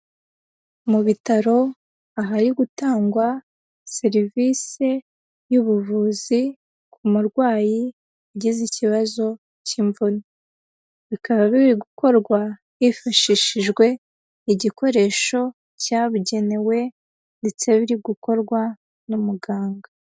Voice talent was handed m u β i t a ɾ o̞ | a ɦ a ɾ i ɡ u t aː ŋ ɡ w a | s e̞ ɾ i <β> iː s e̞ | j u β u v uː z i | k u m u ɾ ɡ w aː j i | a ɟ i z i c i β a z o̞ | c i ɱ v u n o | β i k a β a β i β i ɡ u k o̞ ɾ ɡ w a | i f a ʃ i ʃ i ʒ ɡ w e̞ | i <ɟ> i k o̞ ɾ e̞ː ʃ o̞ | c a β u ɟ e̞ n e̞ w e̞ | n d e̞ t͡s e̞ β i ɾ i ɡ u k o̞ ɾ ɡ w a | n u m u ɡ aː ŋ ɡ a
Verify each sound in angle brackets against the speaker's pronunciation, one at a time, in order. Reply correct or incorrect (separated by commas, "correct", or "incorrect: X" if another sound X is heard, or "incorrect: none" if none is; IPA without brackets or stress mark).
incorrect: v, correct